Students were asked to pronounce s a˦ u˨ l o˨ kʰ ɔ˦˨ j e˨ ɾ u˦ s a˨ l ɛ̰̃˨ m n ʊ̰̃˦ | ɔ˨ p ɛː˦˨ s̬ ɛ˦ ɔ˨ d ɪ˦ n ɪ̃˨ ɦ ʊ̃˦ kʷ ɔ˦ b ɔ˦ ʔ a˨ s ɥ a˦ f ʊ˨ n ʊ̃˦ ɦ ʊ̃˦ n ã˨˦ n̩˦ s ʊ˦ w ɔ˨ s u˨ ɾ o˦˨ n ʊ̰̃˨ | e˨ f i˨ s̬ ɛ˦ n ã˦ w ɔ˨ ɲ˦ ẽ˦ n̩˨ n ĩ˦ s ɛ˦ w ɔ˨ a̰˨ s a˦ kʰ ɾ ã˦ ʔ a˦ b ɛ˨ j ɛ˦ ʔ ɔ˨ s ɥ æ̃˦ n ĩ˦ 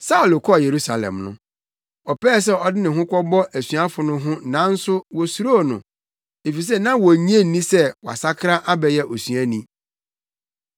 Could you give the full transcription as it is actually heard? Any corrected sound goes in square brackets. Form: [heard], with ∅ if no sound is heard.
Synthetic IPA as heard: s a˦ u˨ l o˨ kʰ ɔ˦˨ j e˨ ɾ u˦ s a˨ l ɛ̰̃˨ m n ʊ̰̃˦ | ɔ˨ p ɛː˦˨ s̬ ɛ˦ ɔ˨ d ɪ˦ n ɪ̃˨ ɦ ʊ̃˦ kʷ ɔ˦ b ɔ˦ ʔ [æ˨] s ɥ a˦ f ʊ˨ n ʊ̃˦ ɦ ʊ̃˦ n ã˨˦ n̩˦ s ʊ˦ w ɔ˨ s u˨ ɾ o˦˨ n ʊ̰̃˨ | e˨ f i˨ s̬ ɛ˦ n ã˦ w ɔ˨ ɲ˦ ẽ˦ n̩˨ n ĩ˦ s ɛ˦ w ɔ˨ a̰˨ s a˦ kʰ ɾ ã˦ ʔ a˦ b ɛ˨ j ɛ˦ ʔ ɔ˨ s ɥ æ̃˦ n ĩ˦